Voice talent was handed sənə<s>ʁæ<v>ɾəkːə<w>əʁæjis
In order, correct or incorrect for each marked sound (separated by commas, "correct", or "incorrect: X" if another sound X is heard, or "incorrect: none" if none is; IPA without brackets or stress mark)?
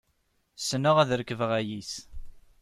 incorrect: none, incorrect: ð, incorrect: v